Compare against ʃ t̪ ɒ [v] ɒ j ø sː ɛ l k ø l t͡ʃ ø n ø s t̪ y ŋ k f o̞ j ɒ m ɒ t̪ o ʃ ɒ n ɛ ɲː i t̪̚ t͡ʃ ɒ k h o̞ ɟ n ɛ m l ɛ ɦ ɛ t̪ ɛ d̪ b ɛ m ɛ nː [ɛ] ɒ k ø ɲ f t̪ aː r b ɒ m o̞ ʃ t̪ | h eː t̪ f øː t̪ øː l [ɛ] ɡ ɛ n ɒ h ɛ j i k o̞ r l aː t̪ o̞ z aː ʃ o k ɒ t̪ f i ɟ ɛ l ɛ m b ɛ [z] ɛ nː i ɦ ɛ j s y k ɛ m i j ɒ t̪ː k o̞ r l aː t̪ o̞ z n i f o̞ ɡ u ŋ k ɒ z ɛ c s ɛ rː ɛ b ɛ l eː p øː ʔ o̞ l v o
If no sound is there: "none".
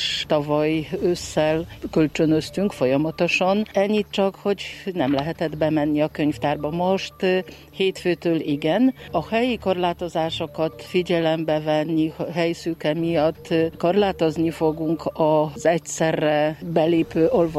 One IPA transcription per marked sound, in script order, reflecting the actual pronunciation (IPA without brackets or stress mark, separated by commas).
v, i, i, v